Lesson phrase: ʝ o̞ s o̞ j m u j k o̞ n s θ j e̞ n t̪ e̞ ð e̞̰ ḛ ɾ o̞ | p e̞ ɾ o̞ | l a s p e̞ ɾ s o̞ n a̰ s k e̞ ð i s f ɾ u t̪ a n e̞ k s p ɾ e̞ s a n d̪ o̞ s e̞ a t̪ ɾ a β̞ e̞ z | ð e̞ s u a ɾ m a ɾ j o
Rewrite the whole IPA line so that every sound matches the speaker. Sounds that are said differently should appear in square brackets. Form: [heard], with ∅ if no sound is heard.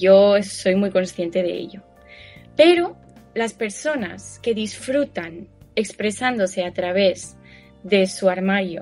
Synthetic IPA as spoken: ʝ o̞ s o̞ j m u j k o̞ n s θ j e̞ n t̪ e̞ ð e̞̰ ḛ [ʎ] o̞ | p e̞ ɾ o̞ | l a s p e̞ ɾ s o̞ n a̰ s k e̞ ð i s f ɾ u t̪ a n e̞ k s p ɾ e̞ s a n d̪ o̞ s e̞ a t̪ ɾ a β̞ e̞ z | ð e̞ s u a ɾ m a ɾ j o